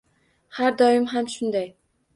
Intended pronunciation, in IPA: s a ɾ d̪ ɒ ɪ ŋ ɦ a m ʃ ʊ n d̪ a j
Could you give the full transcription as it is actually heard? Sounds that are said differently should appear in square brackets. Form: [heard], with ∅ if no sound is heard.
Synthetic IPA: [h] a ɾ d̪ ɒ ɪ [m] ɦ a m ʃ ʊ n d̪ a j